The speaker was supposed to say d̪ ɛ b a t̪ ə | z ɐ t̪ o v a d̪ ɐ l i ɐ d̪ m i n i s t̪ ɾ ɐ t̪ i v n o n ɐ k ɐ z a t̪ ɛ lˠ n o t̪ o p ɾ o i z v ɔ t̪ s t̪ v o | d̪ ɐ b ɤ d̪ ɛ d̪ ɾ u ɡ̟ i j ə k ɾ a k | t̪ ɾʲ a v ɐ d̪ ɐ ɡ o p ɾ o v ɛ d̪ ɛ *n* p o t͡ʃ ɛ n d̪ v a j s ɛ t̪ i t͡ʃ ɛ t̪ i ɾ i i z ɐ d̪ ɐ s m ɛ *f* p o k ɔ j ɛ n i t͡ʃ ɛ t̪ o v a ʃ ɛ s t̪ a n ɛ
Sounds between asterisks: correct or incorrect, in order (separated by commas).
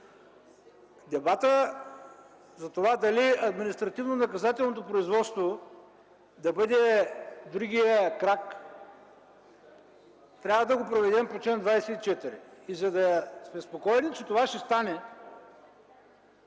incorrect, incorrect